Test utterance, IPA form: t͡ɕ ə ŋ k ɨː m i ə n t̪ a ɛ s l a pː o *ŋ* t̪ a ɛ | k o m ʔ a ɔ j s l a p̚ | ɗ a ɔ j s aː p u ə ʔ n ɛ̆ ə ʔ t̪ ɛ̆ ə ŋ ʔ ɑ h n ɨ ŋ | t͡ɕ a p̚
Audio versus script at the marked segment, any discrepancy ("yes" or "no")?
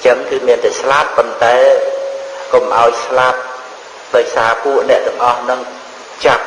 yes